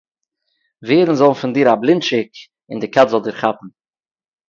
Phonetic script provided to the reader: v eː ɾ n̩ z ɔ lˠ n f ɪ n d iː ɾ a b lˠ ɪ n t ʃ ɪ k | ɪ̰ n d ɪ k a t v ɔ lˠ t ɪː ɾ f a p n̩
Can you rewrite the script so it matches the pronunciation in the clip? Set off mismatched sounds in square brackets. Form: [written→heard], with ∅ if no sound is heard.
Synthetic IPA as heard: v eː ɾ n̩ z ɔ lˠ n f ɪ n d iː ɾ a b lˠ ɪ n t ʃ ɪ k | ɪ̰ n d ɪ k a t [v→z] ɔ lˠ [t→d] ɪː ɾ [f→χ] a p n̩